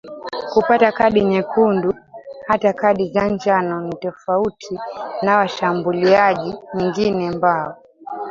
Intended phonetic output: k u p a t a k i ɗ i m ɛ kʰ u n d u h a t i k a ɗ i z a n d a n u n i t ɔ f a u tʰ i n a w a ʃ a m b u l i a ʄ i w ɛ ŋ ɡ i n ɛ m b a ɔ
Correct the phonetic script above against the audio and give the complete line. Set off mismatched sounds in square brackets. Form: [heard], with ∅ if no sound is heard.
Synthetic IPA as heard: k u p a t a k [a] ɗ i [ɲ] ɛ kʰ u n d u h a t [a] k a ɗ i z a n [d͡ʒ] a n [ɔ] n i t ɔ f a u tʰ i n a w a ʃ a m b u l i a ʄ i w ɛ ŋ ɡ i n ɛ m b a ɔ